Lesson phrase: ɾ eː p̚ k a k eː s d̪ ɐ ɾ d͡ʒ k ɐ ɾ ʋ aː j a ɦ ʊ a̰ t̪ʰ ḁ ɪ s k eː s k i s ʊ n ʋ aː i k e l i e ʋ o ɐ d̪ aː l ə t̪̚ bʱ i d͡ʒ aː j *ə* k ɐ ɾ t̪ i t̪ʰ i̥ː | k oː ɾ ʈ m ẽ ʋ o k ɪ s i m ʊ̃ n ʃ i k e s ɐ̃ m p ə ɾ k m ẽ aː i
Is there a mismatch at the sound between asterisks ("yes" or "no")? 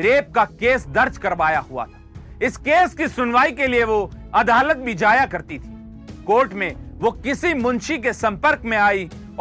yes